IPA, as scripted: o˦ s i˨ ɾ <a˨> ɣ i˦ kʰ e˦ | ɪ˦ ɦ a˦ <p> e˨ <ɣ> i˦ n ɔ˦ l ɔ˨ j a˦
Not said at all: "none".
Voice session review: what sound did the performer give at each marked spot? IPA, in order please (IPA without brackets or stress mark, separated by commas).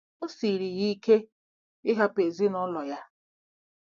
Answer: i˨, p, z